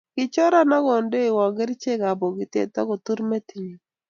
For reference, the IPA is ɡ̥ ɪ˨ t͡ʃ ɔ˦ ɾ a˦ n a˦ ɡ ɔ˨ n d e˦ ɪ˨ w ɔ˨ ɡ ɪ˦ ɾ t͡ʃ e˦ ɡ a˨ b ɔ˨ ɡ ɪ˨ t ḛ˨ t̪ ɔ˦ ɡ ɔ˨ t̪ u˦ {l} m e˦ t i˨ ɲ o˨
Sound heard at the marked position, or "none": ɾ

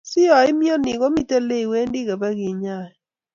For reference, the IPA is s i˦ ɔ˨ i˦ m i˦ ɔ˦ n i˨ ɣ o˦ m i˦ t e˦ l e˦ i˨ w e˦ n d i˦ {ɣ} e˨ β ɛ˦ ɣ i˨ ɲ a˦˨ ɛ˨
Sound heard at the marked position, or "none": ɣ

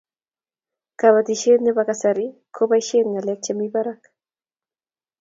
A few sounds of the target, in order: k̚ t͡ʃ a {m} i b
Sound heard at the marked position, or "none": m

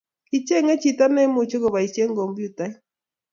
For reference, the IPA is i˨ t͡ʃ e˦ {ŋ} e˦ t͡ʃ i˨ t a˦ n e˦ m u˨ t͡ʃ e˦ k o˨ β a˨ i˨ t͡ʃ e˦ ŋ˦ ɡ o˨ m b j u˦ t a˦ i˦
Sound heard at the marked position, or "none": ŋ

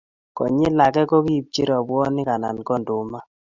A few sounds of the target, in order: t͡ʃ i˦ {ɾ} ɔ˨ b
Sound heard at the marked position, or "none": ɾ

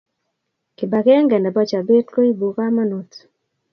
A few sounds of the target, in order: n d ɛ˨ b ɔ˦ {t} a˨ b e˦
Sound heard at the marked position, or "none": t͡ʃ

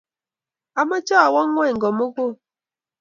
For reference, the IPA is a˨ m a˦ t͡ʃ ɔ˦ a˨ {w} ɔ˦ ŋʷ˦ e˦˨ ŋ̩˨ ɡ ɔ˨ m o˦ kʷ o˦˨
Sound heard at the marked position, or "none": w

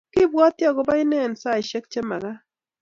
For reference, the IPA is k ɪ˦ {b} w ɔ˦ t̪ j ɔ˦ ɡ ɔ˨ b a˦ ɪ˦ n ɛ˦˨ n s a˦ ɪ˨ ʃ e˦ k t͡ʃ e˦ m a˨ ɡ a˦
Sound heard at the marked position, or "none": b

